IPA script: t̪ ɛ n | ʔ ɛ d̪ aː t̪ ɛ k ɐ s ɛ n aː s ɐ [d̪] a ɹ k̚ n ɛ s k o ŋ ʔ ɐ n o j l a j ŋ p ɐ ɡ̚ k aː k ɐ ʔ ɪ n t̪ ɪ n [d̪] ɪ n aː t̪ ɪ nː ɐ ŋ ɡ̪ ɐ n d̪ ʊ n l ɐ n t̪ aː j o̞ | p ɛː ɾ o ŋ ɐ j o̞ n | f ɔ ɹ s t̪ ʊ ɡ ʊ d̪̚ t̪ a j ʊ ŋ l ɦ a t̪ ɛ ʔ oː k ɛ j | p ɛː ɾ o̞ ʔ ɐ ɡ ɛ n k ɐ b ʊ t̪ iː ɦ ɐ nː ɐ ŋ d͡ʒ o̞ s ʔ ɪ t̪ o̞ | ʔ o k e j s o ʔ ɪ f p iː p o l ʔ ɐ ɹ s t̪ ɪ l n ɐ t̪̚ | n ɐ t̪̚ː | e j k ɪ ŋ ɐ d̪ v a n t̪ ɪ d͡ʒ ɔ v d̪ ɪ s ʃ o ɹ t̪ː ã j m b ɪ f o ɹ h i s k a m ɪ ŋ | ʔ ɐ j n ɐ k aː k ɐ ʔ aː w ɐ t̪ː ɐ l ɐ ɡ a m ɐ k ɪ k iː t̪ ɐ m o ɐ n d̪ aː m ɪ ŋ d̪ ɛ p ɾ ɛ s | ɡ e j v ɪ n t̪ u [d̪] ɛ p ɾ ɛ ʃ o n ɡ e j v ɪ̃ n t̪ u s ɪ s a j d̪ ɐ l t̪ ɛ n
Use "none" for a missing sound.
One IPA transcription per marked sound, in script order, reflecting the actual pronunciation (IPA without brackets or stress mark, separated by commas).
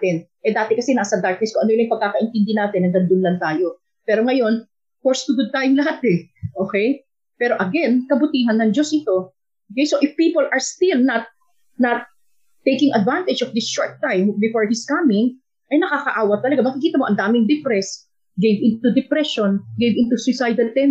d̪, d̪, d̪